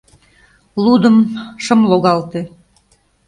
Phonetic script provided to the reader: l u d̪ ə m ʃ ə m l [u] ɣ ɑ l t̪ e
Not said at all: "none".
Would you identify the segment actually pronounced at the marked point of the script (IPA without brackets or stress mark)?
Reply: o